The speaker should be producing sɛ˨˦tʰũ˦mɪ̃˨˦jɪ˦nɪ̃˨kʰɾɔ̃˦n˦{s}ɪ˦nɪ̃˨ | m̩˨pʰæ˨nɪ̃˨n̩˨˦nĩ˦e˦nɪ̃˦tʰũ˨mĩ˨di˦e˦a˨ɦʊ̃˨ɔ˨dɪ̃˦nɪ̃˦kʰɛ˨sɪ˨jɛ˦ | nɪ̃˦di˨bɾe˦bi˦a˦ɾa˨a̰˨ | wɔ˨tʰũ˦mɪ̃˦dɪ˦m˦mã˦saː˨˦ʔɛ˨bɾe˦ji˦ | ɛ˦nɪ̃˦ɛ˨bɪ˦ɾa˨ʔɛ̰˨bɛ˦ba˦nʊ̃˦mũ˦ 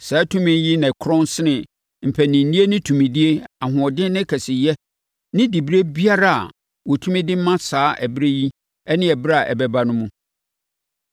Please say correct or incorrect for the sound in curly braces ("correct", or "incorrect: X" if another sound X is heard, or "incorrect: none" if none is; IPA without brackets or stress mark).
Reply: correct